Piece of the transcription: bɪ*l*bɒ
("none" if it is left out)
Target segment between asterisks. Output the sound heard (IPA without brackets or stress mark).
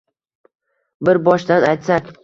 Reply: ɾ